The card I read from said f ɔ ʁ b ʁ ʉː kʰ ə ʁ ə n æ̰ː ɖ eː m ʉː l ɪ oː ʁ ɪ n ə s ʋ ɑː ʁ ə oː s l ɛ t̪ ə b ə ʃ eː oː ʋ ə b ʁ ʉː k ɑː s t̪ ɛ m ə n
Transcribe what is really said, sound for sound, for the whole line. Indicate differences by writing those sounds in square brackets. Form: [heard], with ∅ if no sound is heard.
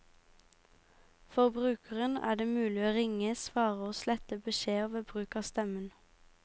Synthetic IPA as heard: f ɔ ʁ b ʁ ʉː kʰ ə ʁ ə n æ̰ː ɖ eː m ʉː l ɪ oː ʁ ɪ [ŋ] ə s ʋ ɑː ʁ ə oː s l ɛ t̪ ə b ə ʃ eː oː ʋ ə b ʁ ʉː k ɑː s t̪ ɛ m ə n

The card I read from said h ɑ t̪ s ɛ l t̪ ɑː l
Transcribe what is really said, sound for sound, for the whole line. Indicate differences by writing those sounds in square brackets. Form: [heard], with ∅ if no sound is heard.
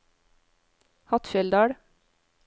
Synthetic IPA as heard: h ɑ t̪ [f] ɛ l [d̪] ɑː [ɽ]

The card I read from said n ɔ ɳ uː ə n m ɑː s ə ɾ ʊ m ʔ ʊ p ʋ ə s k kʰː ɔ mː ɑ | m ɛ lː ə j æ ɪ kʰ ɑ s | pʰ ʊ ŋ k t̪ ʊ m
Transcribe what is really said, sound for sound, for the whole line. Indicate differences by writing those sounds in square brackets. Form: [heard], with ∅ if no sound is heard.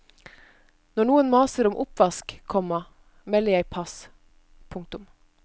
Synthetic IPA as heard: n ɔ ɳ uː ə n m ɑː s ə ɾ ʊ m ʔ ʊ p ʋ [ɑ] s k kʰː ɔ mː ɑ | m ɛ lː ə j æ ɪ [pʰ] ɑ s | pʰ ʊ ŋ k t̪ ʊ m

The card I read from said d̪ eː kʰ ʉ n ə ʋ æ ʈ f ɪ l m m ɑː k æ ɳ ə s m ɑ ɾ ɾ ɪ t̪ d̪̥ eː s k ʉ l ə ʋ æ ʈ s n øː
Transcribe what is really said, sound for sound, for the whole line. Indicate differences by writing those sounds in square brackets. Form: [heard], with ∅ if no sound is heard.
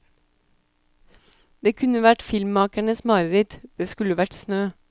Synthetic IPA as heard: d̪ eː kʰ ʉ n ə ʋ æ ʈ f ɪ l m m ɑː k æ ɳ ə s m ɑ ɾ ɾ ɪ t̪ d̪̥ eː s k ʉ l ə ʋ æ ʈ s n øː

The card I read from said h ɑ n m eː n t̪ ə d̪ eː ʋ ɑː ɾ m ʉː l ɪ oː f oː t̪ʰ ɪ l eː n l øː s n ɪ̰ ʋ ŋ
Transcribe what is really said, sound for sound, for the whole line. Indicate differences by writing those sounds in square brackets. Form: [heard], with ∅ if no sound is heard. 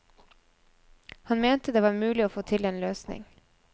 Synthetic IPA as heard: h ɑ n m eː n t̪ ə d̪ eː ʋ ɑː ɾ m ʉː l ɪ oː f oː t̪ʰ ɪ l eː n l øː s n ɪ̰ [∅] ŋ

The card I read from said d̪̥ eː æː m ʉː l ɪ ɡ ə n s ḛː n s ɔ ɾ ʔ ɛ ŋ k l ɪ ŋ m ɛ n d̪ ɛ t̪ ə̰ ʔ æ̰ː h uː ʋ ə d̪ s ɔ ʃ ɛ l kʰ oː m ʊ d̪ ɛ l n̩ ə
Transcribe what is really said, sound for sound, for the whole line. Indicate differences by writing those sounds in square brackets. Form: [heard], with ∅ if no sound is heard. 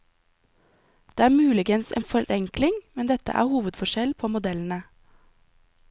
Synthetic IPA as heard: d̪̥ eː æː m ʉː l ɪ ɡ ə n s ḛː n [f] ɔ ɾ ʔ ɛ ŋ k l ɪ ŋ m ɛ n d̪ ɛ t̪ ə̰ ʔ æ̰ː h uː ʋ ə d̪ [f] ɔ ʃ ɛ l [pʰ] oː m ʊ d̪ ɛ l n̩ ə

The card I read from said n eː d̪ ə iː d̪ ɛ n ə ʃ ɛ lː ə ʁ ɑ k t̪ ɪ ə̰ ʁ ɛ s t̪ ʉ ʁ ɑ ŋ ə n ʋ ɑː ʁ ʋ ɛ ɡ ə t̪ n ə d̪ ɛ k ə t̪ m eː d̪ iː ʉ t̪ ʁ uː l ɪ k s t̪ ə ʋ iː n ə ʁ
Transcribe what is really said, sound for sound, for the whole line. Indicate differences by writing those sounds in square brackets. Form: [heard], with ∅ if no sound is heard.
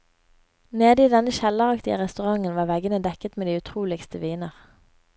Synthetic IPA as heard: n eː d̪ ə iː d̪ ɛ n ə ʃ ɛ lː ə ʁ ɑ k t̪ ɪ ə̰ ʁ ɛ s t̪ ʉ ʁ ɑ ŋ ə n ʋ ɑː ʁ ʋ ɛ ɡ ə [∅] n ə d̪ ɛ k ə t̪ m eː d̪ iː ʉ [t̪ʰ] ʁ uː l ɪ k s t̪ ə ʋ iː n ə ʁ

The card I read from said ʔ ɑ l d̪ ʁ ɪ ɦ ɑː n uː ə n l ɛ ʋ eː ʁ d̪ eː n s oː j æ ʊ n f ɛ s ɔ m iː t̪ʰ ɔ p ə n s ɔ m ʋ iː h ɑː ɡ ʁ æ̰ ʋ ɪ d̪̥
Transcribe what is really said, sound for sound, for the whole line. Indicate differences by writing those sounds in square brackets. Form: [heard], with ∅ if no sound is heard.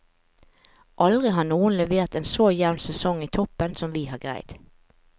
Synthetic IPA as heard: ʔ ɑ l d̪ ʁ ɪ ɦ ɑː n uː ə n l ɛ ʋ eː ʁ [t̪] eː n s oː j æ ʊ n [s] ɛ s ɔ [ŋ] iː t̪ʰ ɔ p ə n s ɔ m ʋ iː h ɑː ɡ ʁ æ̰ [∅] ɪ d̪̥

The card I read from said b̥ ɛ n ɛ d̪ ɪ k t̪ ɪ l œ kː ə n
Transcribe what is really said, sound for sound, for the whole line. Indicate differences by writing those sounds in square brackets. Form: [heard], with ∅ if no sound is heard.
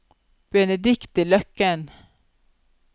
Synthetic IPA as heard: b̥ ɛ n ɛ d̪ ɪ k t̪ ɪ l œ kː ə n

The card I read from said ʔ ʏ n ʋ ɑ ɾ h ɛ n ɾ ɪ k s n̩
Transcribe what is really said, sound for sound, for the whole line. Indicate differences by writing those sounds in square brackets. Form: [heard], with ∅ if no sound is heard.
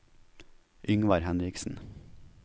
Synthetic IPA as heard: ʔ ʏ [ŋ] ʋ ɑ ɾ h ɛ n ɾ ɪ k s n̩

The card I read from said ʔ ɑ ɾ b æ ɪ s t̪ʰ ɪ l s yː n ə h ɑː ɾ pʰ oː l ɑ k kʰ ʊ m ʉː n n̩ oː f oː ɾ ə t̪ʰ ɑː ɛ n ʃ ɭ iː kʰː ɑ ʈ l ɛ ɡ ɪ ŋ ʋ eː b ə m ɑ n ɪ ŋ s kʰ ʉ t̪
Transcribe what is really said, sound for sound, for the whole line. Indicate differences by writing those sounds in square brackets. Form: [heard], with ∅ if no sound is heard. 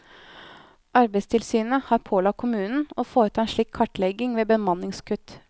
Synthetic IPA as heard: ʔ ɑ ɾ b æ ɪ s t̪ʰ ɪ l s yː n ə h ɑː ɾ pʰ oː l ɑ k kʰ ʊ m ʉː n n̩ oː f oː ɾ ə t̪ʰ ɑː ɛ n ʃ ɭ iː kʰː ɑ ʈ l ɛ ɡ ɪ ŋ ʋ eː b ə m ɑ n ɪ ŋ s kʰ ʉ t̪

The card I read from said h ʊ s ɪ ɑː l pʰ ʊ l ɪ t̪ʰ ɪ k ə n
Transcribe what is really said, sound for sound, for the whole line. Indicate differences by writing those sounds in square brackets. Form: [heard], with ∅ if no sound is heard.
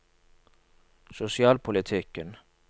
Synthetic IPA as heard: [s] ʊ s ɪ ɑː l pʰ ʊ l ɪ t̪ʰ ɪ k ə n

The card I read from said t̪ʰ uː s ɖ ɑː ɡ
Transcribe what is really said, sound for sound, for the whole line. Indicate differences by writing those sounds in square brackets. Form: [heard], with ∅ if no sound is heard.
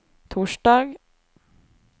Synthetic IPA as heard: t̪ʰ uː [ʂ] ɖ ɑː ɡ

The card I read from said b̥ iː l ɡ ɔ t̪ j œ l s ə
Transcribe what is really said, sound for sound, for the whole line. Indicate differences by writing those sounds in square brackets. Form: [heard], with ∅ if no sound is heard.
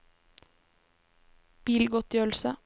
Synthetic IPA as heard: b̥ iː l ɡ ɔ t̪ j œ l s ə

